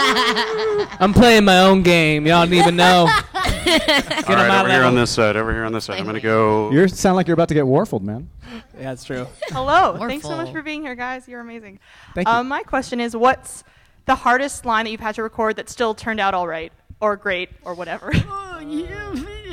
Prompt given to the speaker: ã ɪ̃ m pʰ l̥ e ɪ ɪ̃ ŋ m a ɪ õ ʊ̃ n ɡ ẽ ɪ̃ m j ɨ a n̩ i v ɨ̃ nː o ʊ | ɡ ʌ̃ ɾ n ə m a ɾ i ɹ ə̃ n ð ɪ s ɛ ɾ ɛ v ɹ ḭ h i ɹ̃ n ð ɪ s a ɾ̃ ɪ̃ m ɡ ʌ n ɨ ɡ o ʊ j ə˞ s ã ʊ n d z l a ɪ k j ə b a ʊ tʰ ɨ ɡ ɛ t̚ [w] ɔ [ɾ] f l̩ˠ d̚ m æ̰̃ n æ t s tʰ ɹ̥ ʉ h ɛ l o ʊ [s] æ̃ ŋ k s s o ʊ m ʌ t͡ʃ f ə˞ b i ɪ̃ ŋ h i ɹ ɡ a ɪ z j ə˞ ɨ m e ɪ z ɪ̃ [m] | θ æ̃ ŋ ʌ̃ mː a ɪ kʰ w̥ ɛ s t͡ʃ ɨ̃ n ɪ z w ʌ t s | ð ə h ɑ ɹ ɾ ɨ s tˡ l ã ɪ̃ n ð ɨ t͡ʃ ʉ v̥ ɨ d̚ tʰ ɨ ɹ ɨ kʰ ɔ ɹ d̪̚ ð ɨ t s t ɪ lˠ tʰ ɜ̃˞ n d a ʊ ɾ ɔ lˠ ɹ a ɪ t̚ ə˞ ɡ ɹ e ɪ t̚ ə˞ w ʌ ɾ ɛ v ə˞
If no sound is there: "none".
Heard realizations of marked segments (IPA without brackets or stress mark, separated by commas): w, ɹ, θ, ŋ